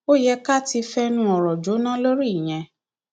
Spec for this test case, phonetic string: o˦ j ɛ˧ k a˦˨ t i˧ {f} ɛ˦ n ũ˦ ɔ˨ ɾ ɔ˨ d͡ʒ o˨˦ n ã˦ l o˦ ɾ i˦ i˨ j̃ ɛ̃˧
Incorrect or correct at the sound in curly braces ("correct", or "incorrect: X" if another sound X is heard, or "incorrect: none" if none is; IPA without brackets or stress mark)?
correct